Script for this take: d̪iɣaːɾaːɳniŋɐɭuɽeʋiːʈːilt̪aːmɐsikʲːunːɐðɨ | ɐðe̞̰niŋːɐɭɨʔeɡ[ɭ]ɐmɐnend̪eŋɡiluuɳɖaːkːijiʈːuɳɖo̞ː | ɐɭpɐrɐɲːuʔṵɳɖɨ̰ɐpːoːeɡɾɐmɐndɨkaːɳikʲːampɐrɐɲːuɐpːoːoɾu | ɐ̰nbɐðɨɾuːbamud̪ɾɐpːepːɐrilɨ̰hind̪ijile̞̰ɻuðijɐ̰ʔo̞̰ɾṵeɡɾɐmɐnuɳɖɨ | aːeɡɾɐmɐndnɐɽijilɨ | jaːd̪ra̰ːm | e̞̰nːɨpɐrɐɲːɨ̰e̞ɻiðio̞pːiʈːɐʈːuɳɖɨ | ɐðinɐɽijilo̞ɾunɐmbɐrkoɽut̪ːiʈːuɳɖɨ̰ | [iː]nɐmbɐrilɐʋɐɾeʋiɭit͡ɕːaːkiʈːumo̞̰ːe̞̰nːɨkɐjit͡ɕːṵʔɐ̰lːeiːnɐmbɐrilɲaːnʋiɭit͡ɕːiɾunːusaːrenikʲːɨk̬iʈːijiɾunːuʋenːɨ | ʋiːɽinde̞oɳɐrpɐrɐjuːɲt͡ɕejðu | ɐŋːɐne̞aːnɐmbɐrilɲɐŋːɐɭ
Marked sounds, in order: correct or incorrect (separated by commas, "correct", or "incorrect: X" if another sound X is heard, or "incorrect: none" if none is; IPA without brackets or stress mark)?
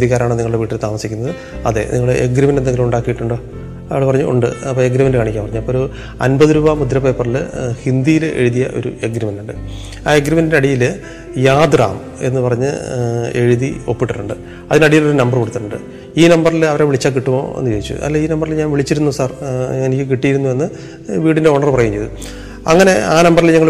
incorrect: ɾ, correct